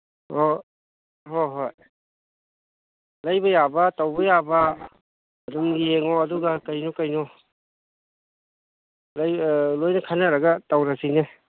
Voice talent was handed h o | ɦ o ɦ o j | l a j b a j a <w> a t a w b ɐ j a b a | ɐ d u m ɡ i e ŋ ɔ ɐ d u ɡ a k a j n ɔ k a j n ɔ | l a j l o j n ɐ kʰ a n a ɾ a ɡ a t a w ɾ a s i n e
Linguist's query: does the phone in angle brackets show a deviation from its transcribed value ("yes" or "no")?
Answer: yes